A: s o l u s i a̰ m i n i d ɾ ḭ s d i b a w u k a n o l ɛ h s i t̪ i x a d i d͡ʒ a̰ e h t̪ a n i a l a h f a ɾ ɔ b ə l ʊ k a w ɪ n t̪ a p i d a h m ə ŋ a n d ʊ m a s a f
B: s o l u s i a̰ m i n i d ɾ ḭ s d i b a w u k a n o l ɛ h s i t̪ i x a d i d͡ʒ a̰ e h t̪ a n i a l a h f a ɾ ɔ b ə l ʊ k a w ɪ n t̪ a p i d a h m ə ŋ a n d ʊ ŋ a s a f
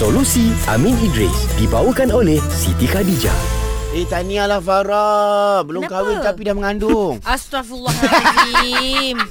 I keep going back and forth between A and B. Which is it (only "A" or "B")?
B